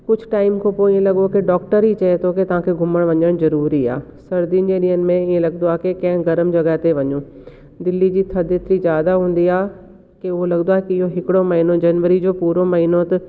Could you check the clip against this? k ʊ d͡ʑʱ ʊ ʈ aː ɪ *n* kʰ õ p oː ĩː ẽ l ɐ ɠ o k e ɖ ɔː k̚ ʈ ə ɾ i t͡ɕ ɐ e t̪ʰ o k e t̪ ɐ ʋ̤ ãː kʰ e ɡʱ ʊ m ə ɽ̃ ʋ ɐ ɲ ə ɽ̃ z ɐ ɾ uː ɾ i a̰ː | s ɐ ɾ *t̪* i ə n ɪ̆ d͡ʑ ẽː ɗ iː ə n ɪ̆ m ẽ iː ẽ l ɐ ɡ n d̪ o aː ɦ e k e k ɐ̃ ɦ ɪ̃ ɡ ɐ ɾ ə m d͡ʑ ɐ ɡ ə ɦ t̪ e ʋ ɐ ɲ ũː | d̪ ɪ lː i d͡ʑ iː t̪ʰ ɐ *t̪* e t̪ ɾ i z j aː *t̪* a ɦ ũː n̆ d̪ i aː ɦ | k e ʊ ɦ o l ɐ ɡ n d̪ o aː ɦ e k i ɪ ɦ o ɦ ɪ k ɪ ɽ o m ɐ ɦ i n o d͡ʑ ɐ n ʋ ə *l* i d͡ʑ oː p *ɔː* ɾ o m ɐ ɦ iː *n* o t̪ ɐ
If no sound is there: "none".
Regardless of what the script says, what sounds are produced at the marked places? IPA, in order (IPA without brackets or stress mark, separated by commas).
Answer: m, d̪, d̪, d̪, ɾ, uː, n